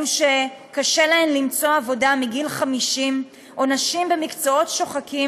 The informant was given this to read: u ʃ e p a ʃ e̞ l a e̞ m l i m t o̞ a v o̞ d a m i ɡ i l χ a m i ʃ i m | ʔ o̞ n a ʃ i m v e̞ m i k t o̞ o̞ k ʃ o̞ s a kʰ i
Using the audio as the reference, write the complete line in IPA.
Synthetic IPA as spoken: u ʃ e k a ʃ e̞ l a e̞ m l i m t͡s o̞ a v o̞ d a m i ɡ i l χ a m i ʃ i m | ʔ o̞ n a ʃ i m b e̞ m i k t͡s o̞ o̞ t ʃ o̞ χ a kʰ i